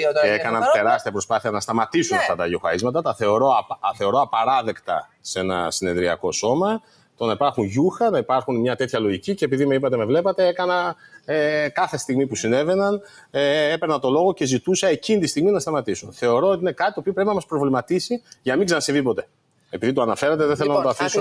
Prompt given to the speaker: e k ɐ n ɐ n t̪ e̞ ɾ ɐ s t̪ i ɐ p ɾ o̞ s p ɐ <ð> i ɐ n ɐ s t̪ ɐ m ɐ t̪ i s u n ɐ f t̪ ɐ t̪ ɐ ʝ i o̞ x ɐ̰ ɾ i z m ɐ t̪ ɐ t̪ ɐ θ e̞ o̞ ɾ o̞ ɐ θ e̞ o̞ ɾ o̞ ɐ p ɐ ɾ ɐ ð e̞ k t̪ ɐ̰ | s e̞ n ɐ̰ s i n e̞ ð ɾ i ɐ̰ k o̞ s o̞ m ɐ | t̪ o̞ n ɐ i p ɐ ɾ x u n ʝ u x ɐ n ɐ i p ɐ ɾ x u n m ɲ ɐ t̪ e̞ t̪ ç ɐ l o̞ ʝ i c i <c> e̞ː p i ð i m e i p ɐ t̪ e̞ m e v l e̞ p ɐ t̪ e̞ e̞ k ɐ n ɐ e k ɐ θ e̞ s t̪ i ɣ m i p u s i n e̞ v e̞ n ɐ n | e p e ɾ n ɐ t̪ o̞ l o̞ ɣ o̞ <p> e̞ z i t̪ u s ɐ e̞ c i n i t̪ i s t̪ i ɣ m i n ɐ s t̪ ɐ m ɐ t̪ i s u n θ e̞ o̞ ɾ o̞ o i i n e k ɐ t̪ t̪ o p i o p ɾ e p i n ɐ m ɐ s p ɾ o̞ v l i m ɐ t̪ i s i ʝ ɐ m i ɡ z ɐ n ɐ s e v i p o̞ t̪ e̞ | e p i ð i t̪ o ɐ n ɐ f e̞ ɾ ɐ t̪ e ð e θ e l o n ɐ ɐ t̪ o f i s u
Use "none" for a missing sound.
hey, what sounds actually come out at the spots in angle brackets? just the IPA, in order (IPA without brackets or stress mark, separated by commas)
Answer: θ, c, c